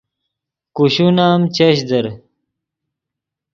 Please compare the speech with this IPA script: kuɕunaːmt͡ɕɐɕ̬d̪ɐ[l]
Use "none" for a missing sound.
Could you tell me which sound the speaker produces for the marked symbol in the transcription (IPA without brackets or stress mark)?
ɾ